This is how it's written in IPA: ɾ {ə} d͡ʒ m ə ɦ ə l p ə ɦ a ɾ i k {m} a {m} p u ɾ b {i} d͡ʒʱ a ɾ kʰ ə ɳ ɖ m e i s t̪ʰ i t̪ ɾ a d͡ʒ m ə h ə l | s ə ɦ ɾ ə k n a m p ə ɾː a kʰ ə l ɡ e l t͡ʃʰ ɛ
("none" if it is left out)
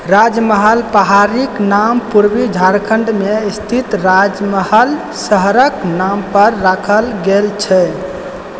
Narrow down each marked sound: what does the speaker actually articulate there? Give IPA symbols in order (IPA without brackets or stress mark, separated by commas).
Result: a, n, m, i